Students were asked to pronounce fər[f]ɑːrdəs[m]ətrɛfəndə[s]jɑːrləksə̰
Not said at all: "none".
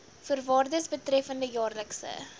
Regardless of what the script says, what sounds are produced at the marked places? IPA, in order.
v, b, none

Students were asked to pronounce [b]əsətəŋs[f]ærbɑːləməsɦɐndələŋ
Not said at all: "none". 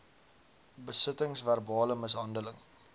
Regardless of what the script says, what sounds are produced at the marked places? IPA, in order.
b, v

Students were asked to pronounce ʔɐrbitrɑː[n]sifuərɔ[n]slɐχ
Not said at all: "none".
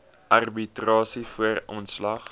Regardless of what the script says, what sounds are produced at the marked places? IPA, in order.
none, n

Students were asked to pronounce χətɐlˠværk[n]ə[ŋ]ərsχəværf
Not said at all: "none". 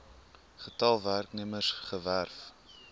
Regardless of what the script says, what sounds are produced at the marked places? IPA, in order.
n, m

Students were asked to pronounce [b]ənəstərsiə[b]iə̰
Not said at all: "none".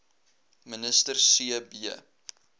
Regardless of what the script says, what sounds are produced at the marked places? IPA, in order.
m, b

